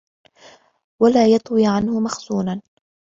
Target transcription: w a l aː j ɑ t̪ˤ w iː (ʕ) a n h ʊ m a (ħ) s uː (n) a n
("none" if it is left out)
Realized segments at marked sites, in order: ʕ, x, n

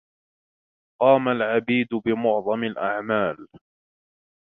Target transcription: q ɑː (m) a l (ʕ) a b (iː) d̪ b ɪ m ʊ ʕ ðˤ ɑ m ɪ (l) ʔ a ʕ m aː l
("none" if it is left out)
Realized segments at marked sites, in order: m, ʕ, iː, l

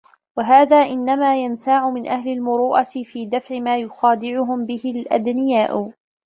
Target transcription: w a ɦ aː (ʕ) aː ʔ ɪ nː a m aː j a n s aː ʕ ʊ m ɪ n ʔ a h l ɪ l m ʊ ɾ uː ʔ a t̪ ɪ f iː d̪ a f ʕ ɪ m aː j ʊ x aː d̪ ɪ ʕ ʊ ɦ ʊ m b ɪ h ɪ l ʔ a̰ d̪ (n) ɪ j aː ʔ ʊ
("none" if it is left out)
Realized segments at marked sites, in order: ð, n

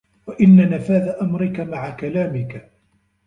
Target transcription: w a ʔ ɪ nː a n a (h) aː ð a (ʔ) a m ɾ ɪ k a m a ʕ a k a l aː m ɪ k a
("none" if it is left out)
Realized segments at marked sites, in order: f, ʔ

